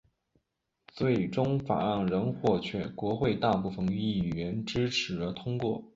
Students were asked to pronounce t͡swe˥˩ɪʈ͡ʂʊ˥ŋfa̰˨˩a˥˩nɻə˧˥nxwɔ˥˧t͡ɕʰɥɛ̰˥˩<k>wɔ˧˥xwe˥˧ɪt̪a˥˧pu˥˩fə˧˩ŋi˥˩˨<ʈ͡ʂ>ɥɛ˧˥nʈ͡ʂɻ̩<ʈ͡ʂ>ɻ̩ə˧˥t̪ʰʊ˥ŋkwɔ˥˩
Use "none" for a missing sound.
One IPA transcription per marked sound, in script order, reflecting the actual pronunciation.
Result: k, none, ʈ͡ʂʰ

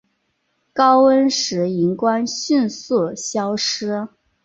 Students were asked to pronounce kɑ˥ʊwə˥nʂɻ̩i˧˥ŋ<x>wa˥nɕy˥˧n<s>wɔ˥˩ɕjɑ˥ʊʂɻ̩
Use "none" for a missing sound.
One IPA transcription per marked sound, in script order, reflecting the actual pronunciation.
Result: k, s

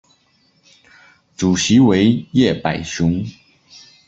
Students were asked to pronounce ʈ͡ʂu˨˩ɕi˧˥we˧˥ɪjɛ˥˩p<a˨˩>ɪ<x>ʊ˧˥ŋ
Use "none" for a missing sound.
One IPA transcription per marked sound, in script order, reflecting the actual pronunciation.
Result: a˨˩, ɕ

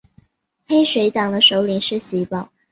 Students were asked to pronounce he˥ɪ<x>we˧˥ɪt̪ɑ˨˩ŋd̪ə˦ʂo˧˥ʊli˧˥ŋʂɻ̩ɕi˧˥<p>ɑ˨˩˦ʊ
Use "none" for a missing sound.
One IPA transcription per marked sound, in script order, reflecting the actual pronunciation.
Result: ʂ, p

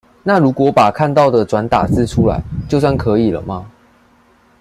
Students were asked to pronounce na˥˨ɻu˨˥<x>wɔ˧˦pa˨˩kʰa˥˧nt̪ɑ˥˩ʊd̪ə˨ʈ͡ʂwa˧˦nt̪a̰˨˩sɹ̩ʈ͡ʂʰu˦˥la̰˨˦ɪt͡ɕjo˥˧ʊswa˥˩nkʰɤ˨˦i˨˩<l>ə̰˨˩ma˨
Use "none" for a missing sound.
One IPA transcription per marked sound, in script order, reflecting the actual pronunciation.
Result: k, l

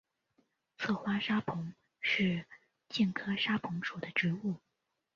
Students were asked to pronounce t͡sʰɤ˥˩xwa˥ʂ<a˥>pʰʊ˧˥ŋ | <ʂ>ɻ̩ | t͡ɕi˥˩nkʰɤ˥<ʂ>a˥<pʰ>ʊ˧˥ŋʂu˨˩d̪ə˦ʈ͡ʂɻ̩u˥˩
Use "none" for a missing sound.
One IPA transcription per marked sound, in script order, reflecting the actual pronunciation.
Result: a˥, ʂ, ʂ, pʰ

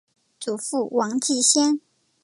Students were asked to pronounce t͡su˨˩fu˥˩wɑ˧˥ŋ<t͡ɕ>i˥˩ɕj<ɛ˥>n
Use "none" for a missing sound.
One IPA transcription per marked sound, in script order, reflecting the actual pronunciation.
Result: t͡ɕ, ɛ˥

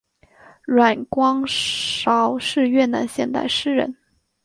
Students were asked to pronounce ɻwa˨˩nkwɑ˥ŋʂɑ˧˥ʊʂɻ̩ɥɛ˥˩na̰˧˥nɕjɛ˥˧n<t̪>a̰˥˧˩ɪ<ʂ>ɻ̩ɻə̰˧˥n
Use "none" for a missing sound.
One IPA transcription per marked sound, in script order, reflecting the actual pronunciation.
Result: t̪, ʂ

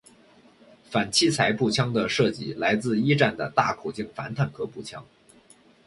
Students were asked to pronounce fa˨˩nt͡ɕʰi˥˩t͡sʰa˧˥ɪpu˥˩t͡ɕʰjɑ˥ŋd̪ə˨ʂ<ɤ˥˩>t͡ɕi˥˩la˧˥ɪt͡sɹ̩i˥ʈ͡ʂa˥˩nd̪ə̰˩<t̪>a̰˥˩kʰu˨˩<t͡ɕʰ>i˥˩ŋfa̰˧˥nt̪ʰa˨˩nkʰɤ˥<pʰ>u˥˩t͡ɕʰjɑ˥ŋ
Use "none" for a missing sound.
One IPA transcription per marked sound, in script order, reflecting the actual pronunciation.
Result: ɤ˥˩, t̪, t͡ɕ, p

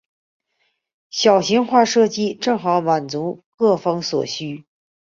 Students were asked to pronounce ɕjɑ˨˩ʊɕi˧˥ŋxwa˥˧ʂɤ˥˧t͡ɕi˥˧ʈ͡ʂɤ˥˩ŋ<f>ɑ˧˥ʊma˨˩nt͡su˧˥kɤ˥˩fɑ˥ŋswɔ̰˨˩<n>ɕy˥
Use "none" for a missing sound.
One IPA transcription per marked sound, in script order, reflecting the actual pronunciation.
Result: x, none

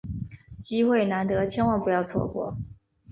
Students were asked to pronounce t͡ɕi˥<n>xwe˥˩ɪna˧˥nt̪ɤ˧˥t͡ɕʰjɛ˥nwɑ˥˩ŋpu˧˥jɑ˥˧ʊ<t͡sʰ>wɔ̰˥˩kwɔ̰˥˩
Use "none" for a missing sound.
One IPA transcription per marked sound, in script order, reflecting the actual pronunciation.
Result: none, t͡sʰ

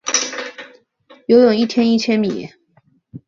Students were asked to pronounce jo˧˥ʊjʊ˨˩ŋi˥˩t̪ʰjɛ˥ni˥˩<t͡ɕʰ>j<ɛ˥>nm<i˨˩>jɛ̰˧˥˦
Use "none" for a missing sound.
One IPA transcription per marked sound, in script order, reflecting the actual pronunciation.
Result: t͡ɕʰ, ɛ˥, i˨˩

